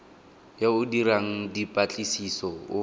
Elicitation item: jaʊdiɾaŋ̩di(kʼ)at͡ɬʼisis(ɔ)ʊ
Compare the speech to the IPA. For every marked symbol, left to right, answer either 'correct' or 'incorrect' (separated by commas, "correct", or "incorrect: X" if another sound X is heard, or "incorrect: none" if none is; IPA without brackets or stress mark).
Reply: incorrect: pʼ, correct